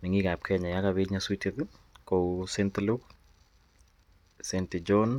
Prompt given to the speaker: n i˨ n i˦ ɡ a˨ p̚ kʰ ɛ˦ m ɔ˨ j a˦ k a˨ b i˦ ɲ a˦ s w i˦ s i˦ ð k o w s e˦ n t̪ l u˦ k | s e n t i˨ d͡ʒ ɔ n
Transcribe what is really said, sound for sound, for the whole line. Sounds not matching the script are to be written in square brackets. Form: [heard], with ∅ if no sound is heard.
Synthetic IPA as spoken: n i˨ [ŋ] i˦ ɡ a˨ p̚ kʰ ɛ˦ [ɲ] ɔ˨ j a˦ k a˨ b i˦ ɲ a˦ s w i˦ [t] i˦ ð k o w s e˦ n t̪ l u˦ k | s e n t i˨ d͡ʒ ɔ n